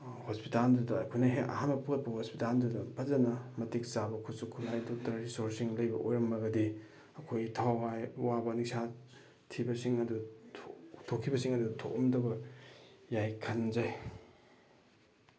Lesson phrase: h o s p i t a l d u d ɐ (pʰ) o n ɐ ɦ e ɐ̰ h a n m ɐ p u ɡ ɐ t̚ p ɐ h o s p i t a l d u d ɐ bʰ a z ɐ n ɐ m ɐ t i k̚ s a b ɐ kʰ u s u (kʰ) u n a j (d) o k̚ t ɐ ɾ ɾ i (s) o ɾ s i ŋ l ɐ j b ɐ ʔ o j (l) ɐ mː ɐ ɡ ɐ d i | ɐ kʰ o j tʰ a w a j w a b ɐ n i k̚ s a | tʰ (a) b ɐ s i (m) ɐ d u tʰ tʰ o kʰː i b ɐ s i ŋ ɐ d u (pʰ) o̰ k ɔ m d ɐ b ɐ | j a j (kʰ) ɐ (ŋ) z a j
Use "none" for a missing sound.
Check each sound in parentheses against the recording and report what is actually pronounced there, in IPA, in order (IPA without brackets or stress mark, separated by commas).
kʰ, kʰ, d, s, ɾ, i, ŋ, tʰ, kʰ, n